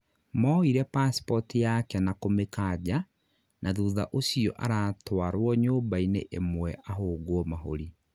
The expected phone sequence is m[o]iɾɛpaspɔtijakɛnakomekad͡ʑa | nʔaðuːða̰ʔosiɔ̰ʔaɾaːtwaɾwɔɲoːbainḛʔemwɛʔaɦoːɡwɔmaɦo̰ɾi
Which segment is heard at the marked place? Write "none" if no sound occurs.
ɔ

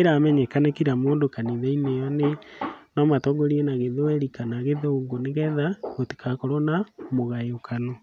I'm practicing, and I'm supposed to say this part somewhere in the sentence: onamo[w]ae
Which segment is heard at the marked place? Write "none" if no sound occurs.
ɣ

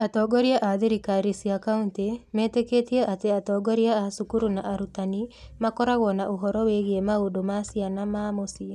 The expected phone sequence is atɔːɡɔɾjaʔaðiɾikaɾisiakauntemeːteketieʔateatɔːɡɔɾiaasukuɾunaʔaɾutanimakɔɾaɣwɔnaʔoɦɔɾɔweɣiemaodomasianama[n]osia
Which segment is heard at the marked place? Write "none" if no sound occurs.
m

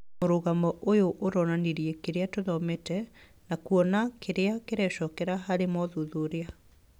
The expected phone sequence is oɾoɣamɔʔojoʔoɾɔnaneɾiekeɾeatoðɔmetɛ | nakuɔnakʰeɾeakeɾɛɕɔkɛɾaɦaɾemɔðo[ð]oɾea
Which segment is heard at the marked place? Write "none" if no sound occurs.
ð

